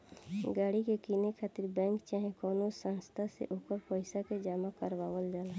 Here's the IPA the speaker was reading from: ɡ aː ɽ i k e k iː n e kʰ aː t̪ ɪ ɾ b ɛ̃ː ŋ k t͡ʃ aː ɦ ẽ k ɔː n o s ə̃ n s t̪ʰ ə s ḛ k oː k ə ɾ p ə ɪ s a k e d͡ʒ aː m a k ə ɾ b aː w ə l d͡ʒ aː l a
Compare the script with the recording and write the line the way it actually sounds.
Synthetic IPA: ɡ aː ɽ i k e k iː n e kʰ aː t̪ ɪ ɾ b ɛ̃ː ŋ k t͡ʃ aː ɦ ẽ k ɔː n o s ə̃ n s t̪ʰ a s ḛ ʔ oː k ə ɾ p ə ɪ s a k e d͡ʒ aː m a k ə ɾ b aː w ə l d͡ʒ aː l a